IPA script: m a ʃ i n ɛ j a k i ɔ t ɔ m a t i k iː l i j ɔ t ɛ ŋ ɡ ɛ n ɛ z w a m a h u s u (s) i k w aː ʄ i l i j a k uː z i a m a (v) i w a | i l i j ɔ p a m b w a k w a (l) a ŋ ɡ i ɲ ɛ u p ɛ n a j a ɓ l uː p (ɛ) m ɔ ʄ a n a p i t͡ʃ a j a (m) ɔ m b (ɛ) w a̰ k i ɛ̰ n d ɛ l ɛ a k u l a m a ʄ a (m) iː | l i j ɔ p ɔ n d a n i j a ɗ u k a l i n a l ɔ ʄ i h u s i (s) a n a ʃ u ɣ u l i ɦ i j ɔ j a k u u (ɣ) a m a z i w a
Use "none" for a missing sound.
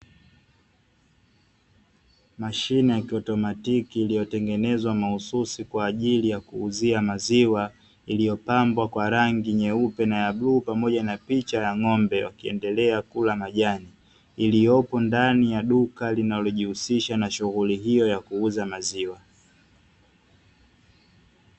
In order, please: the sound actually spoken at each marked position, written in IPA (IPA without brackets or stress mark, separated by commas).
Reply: s, z, ɾ, a, ŋ, ɛ, n, ʃ, z